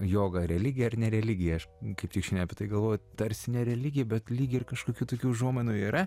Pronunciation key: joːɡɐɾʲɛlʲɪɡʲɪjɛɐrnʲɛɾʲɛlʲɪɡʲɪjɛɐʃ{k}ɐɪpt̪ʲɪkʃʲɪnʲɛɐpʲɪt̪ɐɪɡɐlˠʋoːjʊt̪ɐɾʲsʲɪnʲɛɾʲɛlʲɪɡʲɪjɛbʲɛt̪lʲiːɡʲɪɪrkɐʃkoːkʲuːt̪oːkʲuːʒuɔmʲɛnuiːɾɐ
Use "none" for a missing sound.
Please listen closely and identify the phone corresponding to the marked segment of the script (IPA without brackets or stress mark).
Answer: k